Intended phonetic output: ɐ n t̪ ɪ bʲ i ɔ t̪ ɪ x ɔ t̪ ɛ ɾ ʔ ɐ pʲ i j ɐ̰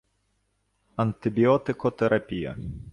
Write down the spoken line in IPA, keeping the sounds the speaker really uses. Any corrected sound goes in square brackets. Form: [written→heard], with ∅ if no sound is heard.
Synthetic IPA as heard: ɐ n t̪ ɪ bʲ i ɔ t̪ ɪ [x→k] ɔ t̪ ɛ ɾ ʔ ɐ pʲ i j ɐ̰